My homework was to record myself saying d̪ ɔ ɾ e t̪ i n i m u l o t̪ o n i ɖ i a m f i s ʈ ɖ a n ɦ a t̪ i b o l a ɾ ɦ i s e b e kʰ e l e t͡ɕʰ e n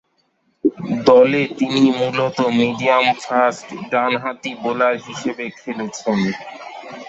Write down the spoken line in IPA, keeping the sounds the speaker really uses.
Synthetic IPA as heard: d̪ ɔ l e t̪ i n i m u l o t̪ o m i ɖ i a m f a s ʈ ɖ a n ɦ a t̪ i b o l a ɾ ɦ i ʃ e b e kʰ e l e t͡ɕʰ e n